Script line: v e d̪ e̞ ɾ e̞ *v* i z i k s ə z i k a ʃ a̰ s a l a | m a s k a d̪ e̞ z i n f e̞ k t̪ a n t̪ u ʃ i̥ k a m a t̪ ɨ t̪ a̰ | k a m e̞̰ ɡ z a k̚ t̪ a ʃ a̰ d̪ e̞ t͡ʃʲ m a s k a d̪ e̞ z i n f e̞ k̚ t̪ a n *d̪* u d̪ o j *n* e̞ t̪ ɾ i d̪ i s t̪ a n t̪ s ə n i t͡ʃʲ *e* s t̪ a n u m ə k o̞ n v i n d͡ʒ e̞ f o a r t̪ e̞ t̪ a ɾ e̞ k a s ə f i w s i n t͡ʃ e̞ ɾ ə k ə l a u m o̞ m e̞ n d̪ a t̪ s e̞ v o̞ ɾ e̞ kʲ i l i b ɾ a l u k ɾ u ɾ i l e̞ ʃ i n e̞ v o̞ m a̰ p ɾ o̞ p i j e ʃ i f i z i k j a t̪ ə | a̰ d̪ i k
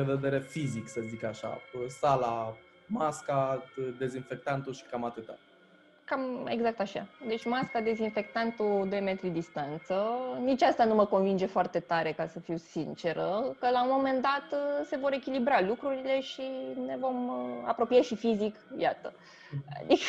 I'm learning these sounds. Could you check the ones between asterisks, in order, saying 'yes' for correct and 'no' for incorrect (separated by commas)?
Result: no, no, no, no